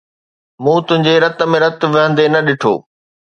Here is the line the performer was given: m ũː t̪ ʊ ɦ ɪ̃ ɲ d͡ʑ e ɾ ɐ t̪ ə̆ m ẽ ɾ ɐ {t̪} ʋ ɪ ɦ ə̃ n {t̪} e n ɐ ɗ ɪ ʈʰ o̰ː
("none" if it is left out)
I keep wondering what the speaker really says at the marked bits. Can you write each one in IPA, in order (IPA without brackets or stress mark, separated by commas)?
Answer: t̪, d̪